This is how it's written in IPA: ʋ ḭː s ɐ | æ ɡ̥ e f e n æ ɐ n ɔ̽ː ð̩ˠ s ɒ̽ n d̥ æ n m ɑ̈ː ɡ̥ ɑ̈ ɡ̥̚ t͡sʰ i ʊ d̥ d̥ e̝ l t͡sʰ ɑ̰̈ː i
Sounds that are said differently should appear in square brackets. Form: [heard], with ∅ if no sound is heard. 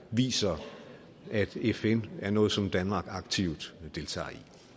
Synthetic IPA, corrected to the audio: ʋ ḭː s ɐ | æ [d̥] e f e n æ ɐ n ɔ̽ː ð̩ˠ s ɒ̽ [m] d̥ æ n m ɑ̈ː ɡ̥ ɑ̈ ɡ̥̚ t͡sʰ i ʊ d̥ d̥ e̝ l t͡sʰ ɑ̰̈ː i